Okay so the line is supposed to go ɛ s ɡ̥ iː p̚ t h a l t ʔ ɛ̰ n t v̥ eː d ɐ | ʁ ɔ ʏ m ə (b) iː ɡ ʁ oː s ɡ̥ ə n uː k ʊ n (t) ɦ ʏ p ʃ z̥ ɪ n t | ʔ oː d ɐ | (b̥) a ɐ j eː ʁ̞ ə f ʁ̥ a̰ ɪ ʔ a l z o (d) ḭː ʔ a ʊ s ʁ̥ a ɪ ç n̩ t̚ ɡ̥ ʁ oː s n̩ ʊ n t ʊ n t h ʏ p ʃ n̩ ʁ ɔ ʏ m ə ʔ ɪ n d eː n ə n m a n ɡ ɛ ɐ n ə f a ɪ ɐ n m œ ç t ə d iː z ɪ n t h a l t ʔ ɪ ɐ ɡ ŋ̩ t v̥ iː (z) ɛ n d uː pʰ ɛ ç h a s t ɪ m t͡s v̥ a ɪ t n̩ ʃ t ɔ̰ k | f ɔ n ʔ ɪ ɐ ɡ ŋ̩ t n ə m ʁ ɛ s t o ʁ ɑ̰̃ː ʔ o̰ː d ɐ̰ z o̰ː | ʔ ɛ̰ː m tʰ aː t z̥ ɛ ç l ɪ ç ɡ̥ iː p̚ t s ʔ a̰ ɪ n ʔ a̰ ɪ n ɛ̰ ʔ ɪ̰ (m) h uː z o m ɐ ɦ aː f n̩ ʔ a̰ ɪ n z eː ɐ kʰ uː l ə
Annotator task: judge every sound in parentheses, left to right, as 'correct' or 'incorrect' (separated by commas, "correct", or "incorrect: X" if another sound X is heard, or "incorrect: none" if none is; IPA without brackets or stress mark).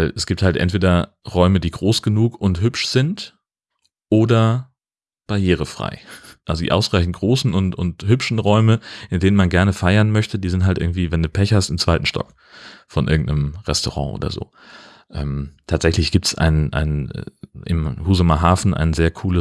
incorrect: d, correct, correct, correct, incorrect: v, correct